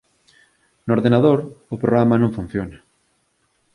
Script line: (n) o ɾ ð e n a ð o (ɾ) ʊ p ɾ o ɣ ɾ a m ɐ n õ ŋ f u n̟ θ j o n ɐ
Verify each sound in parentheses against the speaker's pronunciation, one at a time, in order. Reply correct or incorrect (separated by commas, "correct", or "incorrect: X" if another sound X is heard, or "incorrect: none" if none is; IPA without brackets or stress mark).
correct, correct